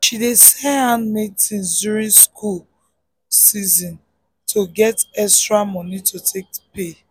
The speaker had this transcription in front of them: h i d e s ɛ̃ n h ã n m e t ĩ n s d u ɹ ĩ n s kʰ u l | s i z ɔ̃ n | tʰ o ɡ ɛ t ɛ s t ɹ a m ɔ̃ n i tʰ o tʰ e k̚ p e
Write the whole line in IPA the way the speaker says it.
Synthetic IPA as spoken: ʃ i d e s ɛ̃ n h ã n m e t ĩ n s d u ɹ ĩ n s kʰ u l | s i z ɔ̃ n | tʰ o ɡ ɛ t ɛ s t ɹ a m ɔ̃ n i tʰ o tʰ e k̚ p e